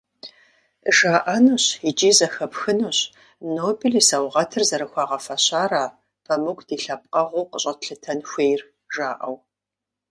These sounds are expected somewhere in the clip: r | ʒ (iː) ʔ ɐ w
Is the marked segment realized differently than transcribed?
yes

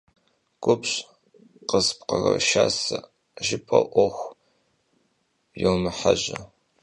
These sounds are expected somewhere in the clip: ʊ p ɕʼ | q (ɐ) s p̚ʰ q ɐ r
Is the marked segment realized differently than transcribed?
yes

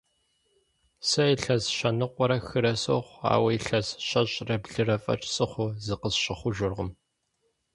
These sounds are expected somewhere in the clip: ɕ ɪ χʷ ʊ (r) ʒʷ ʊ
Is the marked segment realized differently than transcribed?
yes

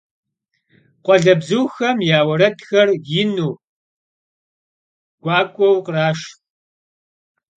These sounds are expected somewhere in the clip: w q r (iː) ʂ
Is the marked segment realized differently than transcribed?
yes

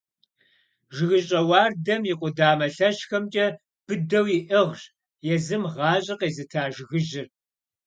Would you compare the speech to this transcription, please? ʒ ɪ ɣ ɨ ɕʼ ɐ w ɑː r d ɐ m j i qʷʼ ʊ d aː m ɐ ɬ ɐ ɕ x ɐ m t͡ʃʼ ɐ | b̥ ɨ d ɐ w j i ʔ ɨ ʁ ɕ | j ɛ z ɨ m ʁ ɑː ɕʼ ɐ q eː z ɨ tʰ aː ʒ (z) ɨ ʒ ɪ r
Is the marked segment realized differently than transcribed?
yes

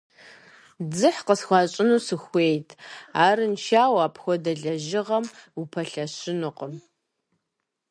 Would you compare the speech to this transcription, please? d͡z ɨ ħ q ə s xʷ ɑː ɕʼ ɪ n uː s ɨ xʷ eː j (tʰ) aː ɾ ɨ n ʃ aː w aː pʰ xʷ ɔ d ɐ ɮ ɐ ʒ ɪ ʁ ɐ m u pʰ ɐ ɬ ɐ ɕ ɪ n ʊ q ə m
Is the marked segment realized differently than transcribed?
no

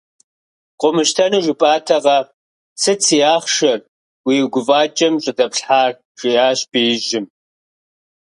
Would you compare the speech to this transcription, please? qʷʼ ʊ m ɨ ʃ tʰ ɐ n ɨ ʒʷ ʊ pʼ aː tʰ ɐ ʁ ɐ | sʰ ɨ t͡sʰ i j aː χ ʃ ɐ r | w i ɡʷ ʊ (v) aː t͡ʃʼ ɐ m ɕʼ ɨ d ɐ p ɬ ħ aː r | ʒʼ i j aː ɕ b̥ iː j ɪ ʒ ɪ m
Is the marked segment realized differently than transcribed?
no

